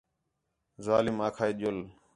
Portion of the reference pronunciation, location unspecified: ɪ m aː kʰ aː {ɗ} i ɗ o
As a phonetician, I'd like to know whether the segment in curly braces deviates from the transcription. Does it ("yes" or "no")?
yes